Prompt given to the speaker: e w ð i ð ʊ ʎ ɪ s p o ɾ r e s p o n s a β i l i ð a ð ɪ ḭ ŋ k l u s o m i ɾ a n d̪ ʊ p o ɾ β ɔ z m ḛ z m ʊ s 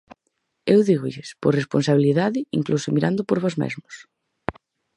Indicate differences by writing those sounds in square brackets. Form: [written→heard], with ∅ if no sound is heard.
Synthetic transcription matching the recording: e w ð i [ð→ɣ] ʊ ʎ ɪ s p o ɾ r e s p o n s a β i l i ð a ð ɪ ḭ ŋ k l u s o m i ɾ a n d̪ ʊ p o ɾ β ɔ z m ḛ z m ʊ s